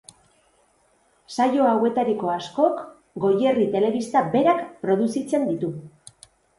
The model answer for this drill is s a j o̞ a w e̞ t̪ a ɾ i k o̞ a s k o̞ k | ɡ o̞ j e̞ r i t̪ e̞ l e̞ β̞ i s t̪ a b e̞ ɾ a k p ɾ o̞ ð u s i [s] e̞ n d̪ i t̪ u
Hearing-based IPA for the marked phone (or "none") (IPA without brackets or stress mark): t͡s